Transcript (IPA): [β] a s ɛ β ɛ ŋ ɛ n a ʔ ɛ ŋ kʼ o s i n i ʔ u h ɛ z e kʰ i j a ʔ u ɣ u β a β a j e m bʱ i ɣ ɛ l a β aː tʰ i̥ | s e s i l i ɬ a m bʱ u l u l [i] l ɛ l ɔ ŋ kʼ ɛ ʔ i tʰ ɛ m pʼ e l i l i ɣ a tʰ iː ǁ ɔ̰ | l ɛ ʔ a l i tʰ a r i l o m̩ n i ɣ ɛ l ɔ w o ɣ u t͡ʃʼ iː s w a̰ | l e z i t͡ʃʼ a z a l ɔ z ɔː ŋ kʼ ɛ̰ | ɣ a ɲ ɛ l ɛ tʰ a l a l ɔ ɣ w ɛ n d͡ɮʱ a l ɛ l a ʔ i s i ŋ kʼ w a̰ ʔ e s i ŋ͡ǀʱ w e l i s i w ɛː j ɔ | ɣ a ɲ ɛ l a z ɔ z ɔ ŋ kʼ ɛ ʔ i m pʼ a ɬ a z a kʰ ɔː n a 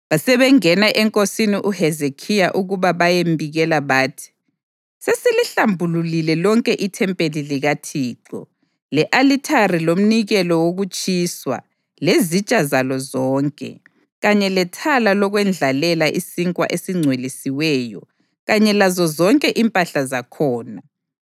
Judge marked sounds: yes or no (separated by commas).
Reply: yes, yes